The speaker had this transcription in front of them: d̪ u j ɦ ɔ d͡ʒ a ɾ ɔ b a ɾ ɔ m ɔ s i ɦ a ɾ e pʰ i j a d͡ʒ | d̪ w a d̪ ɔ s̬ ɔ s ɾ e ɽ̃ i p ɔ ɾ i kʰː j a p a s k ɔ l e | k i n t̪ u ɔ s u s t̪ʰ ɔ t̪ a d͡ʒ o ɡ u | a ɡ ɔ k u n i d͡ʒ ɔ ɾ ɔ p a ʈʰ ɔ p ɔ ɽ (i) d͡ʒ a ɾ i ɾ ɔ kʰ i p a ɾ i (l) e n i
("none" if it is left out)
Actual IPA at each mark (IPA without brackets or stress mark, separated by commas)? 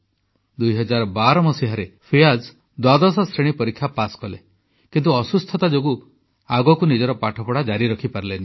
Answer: a, l